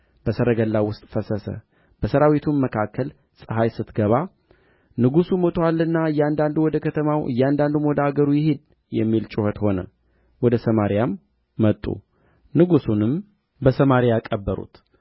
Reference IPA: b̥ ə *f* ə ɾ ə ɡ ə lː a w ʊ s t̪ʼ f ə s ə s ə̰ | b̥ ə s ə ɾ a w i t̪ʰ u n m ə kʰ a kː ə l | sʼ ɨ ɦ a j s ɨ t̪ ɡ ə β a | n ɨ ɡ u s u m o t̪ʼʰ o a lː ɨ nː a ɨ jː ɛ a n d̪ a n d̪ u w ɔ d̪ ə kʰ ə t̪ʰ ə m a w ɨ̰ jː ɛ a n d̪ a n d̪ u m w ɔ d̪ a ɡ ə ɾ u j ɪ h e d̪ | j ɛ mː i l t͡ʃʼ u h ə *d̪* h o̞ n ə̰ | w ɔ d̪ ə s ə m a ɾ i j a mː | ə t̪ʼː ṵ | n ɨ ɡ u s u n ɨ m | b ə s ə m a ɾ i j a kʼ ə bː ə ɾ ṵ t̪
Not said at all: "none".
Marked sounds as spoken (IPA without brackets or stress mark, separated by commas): s, t̪